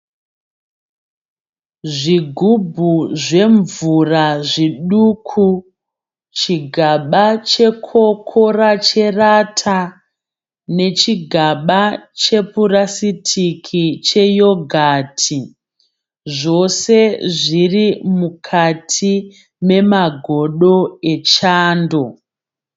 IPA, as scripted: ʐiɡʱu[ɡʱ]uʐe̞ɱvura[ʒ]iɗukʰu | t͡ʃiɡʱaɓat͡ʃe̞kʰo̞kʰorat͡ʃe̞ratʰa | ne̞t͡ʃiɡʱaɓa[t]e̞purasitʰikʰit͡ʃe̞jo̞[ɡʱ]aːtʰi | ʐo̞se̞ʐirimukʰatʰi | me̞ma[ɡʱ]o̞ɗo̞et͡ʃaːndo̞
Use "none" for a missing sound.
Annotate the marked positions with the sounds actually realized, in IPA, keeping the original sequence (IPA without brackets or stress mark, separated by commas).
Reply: bʱ, ʐ, t͡ʃ, ɡʱ, ɡʱ